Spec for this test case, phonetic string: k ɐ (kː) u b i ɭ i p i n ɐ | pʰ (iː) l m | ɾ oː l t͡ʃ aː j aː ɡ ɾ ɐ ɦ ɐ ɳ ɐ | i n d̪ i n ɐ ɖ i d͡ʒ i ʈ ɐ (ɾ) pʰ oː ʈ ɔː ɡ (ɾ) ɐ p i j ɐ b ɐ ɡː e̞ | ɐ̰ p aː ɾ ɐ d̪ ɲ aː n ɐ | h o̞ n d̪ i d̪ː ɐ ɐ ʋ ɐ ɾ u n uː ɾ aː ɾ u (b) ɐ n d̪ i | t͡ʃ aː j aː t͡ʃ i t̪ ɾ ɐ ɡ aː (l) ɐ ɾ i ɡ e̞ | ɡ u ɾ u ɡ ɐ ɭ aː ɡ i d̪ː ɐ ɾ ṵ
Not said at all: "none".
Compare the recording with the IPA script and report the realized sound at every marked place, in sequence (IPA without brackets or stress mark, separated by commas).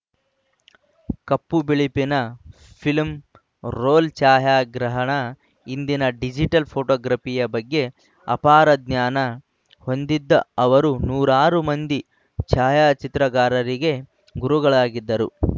pː, i, l, ɾ, m, ɾ